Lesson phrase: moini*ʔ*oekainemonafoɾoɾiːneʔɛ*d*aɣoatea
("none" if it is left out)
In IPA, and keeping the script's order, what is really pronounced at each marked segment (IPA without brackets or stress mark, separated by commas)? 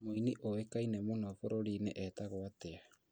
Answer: ʔ, t